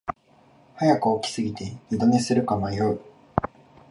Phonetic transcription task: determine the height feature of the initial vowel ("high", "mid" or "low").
low